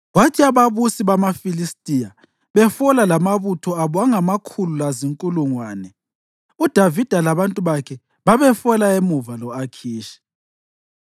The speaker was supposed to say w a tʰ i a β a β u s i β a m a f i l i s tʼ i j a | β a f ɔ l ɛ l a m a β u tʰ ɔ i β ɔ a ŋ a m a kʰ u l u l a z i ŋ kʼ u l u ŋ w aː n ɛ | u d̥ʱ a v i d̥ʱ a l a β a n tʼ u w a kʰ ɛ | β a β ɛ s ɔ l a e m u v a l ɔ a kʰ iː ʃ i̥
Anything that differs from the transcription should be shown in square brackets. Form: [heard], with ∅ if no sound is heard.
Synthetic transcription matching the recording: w a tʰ i a β a β u s i β a m a f i l i s tʼ i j a | β [ɛ] f ɔ l [a] l a m a β u tʰ ɔ [a] β ɔ a ŋ a m a kʰ u l u l a z i ŋ kʼ u l u ŋ w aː n ɛ | u d̥ʱ a v i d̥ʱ a l a β a n tʼ u [β] a kʰ ɛ | β a β ɛ [f] ɔ l a e m u v a l ɔ a kʰ iː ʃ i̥